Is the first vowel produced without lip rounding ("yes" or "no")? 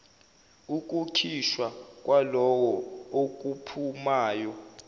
no